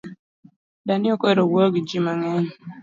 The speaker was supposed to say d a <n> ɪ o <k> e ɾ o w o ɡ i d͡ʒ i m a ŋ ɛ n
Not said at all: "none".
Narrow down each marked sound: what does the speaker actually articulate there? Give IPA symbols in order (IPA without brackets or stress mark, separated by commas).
n, k